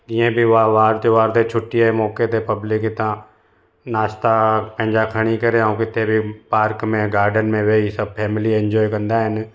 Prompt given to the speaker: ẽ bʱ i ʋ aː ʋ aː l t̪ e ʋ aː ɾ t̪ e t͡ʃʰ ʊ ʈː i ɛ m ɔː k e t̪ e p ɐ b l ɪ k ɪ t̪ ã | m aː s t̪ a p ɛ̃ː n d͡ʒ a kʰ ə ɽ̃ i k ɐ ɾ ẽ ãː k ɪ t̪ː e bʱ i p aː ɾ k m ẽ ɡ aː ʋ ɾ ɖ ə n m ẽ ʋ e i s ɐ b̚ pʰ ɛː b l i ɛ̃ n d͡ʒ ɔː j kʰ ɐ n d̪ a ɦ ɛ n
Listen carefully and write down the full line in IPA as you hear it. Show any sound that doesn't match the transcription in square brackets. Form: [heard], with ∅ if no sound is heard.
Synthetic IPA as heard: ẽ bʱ i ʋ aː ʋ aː [ɾ] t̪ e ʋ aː ɾ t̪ e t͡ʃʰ ʊ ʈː i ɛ m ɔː k e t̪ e p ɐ b l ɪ k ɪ t̪ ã | [n] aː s t̪ a p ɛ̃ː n d͡ʒ a kʰ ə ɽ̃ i k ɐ ɾ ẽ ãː k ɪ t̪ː e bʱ i p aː ɾ k m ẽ ɡ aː [∅] ɾ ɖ ə n m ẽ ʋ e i s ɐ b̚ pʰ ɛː [m] l i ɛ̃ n d͡ʒ ɔː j [k] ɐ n d̪ a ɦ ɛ n